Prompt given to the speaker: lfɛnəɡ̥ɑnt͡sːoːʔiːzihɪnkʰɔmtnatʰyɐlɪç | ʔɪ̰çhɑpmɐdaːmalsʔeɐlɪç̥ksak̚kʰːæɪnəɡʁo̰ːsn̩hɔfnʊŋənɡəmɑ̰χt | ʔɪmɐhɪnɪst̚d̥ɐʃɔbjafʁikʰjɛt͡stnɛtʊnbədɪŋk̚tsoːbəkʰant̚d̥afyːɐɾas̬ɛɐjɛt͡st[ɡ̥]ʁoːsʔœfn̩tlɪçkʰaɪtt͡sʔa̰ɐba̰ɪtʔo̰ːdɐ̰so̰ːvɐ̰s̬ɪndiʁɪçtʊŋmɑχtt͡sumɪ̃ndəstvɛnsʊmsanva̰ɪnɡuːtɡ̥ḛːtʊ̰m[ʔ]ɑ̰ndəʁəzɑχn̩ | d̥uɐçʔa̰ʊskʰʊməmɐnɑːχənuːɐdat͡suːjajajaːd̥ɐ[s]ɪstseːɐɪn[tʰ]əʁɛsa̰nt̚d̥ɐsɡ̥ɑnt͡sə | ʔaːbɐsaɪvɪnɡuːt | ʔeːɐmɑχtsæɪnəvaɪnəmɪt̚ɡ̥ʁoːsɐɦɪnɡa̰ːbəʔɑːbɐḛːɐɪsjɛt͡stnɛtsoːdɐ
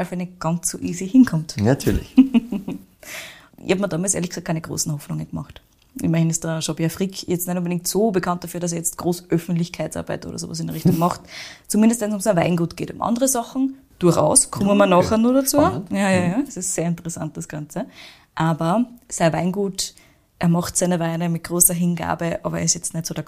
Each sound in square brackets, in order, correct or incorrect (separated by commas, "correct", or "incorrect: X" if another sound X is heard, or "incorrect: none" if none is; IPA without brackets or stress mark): correct, correct, correct, incorrect: t